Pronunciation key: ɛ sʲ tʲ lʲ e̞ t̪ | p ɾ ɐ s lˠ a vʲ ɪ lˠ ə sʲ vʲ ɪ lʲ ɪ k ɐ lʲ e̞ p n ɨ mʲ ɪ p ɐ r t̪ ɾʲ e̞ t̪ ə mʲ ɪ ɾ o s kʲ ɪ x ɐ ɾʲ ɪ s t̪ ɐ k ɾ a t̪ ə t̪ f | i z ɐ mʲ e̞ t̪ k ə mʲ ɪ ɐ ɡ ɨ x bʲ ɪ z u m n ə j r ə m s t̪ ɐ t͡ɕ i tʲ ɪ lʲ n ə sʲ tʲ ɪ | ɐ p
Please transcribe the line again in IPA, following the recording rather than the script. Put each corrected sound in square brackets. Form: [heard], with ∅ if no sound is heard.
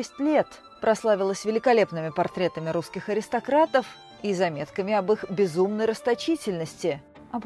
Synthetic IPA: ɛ sʲ tʲ lʲ e̞ t̪ | p ɾ ɐ s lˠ a vʲ ɪ lˠ ə sʲ vʲ ɪ lʲ ɪ k ɐ lʲ e̞ p n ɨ mʲ ɪ p ɐ r t̪ ɾʲ e̞ t̪ ə mʲ ɪ ɾ [u] s kʲ ɪ x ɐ ɾʲ ɪ s t̪ ɐ k ɾ a t̪ ə [∅] f | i z ɐ mʲ e̞ t̪ k ə mʲ ɪ ɐ [b] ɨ x bʲ ɪ z u m n ə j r ə [∅] s t̪ ɐ t͡ɕ i tʲ ɪ lʲ n ə sʲ tʲ ɪ | ɐ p